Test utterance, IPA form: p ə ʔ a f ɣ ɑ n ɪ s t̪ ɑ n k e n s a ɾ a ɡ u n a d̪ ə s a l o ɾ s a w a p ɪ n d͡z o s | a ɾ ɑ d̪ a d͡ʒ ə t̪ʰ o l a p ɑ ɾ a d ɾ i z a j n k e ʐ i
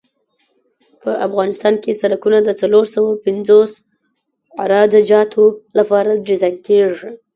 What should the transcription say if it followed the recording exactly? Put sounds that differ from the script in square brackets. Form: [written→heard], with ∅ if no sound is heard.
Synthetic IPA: p ə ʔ a f ɣ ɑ n ɪ s t̪ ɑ n k e [n→∅] s a ɾ a [ɡ→k] u n a d̪ ə [s→t͡s] a l o ɾ s a w a p ɪ n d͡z o s | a ɾ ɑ d̪ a d͡ʒ [ə→ɑ] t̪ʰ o l a p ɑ ɾ a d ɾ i z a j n k e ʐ i

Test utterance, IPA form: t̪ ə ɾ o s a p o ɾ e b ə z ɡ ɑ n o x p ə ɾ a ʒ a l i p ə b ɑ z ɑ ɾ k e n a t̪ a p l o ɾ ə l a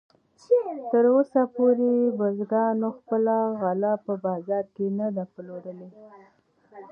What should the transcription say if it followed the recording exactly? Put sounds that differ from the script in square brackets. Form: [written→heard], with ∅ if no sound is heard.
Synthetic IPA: t̪ ə ɾ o s a p o ɾ e b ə z ɡ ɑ n o x p ə [ɾ→l] a [ʒ→ɣ] a l [i→a] p ə b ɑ z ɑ ɾ k e n a [t̪→d̪] a p l o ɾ ə l [a→e]

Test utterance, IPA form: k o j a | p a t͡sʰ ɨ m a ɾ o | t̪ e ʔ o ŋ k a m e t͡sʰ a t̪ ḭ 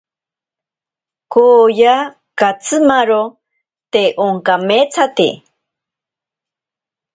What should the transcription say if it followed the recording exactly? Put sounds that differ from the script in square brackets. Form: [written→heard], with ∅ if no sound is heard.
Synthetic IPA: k o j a | [p→k] a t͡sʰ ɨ m a ɾ o | t̪ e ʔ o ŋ k a m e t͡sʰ a t̪ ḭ

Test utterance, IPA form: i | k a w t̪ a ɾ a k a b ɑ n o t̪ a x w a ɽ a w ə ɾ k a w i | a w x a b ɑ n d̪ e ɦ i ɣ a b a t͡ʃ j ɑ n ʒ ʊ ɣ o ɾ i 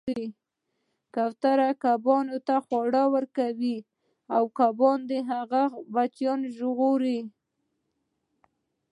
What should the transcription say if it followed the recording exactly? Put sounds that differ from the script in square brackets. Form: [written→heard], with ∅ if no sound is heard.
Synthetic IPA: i | k a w t̪ a ɾ a k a b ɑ n o t̪ a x w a ɽ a w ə ɾ k a w i | a w [x→k] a b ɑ n d̪ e ɦ [i→a] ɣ a b a t͡ʃ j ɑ n ʒ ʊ ɣ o ɾ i

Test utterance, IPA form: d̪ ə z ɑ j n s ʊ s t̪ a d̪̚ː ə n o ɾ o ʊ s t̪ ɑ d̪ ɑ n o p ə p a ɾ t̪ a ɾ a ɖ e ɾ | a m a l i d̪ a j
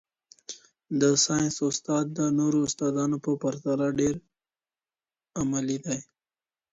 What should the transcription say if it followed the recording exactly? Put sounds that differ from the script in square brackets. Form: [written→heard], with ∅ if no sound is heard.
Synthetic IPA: d̪ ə [z→s] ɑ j n s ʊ s t̪ [a→ɑ] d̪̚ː ə n o ɾ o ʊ s t̪ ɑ d̪ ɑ n o p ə p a ɾ t̪ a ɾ a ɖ e ɾ | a m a l i d̪ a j

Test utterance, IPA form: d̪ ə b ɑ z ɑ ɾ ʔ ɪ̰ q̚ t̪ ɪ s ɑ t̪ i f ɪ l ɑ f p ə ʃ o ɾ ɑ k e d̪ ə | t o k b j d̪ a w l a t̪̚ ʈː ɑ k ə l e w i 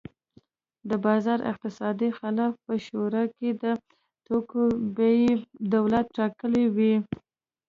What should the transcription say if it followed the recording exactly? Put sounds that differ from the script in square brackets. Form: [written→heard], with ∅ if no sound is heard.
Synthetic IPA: d̪ ə b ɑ z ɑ ɾ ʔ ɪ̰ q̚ t̪ ɪ s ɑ [t̪→d̪] i [f→x] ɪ l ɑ f p ə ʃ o ɾ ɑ k e d̪ ə | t o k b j d̪ a w l a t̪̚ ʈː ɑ k ə l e w i

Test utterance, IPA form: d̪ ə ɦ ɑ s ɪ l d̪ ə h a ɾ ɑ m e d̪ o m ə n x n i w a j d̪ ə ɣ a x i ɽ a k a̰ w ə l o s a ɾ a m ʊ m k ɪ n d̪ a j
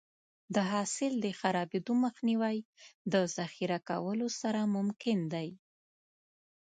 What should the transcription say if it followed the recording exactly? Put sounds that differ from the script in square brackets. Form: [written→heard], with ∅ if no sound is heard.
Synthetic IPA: d̪ ə ɦ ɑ s ɪ l d̪ ə [h→x] a ɾ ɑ [m→b] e d̪ o m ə [n→∅] x n i w a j d̪ ə [ɣ→z] a x i [ɽ→ɾ] a k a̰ w ə l o s a ɾ a m ʊ m k ɪ n d̪ a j

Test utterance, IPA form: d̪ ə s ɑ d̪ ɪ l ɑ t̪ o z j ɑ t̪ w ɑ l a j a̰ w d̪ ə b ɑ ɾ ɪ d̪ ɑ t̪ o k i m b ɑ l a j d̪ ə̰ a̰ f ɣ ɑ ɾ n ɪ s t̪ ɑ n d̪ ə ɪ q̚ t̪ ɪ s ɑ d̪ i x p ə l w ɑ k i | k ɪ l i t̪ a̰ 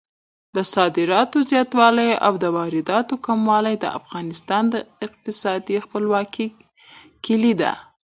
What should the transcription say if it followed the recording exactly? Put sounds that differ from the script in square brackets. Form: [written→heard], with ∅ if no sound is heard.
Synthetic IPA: d̪ ə s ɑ d̪ ɪ [l→ɾ] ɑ t̪ o z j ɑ t̪ w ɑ l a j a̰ w d̪ ə [b→w] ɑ ɾ ɪ d̪ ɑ t̪ o k [i→a] m [b→w] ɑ l a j d̪ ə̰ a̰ f ɣ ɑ [ɾ→∅] n ɪ s t̪ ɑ n d̪ ə ɪ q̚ t̪ ɪ s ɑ d̪ i x p ə l w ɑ k i | k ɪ l i [t̪→d̪] a̰

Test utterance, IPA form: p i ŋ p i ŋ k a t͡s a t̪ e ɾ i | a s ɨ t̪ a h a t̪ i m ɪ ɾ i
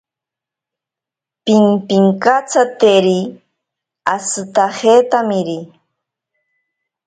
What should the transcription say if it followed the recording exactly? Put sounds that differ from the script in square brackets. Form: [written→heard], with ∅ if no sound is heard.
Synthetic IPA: p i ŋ p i ŋ k a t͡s a t̪ e ɾ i | a s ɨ t̪ a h [a→e] t̪ [i→a] m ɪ ɾ i

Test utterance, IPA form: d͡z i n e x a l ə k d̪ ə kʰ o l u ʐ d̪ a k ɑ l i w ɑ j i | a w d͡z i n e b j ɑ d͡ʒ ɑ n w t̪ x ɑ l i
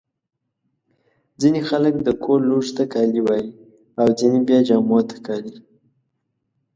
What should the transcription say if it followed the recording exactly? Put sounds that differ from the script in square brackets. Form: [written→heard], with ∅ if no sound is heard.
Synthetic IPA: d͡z i n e x a l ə k d̪ ə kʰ o l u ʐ [d̪→t̪] a k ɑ l i w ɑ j i | a w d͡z i n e b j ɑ d͡ʒ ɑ [n→m] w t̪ [x→k] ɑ l i

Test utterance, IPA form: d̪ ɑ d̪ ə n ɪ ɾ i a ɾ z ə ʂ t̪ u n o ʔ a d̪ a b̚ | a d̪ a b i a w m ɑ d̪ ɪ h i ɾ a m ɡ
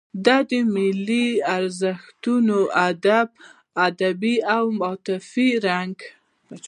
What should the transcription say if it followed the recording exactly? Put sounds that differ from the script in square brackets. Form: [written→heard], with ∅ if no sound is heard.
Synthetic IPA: d̪ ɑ d̪ ə [n→m] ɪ [ɾ→l] i a ɾ z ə [ʂ→x] t̪ u n o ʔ a d̪ a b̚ | a d̪ a b i a w m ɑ [d̪→t̪] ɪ [h→f] i ɾ a [m→ŋ] ɡ

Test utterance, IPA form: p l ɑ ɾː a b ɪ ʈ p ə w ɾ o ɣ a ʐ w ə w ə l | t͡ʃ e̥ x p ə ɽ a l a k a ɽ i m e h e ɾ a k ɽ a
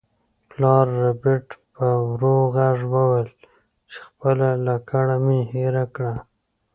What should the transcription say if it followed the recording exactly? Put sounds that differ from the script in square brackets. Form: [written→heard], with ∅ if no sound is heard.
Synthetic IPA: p l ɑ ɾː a b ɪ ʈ p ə w ɾ o ɣ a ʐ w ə w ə l | t͡ʃ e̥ x p ə [ɽ→l] a l a k a ɽ [i→a] m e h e ɾ a k ɽ a

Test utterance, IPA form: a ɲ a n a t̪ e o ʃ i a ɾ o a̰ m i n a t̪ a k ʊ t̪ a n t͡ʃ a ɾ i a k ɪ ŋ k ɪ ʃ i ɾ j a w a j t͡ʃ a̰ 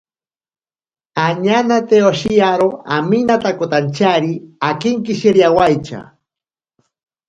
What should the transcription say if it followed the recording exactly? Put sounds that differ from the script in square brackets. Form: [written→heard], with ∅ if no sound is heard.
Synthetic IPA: a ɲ a n a t̪ e o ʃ i a ɾ o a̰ m i n a t̪ a k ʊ t̪ a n t͡ʃ a ɾ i a k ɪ ŋ k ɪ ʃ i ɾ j a w a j t͡ʃ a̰

